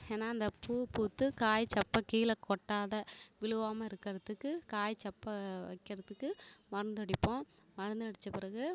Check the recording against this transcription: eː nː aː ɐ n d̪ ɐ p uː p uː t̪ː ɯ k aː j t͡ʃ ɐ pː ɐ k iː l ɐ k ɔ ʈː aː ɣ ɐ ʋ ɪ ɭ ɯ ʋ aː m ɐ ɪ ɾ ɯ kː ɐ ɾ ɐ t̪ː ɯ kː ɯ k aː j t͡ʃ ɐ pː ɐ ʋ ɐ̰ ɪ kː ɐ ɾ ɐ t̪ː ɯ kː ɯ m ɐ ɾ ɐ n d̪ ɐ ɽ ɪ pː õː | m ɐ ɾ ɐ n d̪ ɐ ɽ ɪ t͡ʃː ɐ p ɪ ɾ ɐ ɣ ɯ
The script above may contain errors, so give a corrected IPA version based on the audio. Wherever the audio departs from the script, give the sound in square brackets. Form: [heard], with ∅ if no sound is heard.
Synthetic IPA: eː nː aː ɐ n d̪ ɐ p uː p uː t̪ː ɯ k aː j t͡ʃ ɐ pː ɐ k iː l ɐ k ɔ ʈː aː [ð] ɐ ʋ ɪ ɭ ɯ ʋ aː m ɐ ɪ ɾ ɯ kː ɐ ɾ ɐ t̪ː ɯ kː ɯ k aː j t͡ʃ ɐ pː ɐ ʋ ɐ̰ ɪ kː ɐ ɾ ɐ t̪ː ɯ kː ɯ m ɐ ɾ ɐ n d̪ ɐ ɽ ɪ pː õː | m ɐ ɾ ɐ n d̪ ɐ ɽ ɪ t͡ʃː ɐ p ɪ ɾ ɐ ɣ ɯ